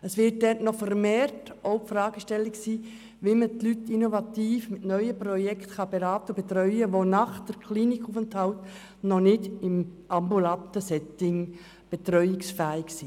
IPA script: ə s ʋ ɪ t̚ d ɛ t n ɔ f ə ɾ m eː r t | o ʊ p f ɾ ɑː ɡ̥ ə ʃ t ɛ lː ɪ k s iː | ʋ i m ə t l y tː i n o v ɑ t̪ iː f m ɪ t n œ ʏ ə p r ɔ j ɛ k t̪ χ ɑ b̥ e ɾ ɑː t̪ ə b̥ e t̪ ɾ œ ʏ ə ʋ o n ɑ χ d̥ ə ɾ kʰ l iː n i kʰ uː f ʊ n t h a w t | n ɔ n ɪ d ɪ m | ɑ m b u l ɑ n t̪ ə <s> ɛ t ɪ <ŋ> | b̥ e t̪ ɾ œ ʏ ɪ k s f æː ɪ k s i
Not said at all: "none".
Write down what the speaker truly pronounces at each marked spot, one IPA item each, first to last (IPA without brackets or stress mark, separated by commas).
s, ŋ